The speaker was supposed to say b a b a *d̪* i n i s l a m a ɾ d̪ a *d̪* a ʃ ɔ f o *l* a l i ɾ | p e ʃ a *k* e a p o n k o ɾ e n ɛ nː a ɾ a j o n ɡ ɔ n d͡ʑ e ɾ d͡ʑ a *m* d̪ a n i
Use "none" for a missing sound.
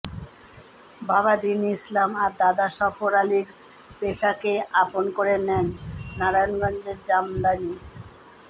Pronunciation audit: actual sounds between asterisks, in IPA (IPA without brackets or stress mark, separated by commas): d̪, d̪, ɾ, k, m